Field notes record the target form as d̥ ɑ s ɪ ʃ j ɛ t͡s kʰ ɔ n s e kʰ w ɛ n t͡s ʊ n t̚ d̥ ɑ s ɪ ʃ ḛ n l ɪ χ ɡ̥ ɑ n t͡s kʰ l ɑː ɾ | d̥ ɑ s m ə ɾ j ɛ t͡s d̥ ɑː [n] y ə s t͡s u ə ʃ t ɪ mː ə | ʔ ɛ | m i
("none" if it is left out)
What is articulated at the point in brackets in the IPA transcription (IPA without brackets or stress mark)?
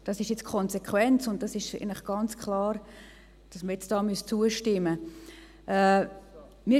m